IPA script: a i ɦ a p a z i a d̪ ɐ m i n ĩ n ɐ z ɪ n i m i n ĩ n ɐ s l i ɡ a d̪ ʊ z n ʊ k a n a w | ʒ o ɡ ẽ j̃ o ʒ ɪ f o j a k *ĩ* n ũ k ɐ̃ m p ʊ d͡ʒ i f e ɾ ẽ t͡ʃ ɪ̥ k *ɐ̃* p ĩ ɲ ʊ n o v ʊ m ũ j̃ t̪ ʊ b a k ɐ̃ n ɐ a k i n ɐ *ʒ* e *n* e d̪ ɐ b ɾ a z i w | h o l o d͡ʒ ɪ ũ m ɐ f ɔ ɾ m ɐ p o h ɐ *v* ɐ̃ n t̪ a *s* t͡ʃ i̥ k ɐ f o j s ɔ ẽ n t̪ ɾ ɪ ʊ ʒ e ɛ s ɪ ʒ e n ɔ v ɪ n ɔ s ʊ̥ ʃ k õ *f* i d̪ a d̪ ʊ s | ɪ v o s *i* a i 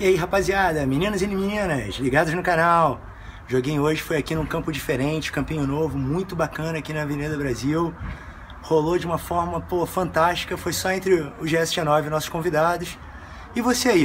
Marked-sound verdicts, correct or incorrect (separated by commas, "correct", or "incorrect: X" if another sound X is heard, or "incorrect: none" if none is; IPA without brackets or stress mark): incorrect: i, correct, incorrect: v, correct, incorrect: f, incorrect: ʃ, incorrect: v, incorrect: e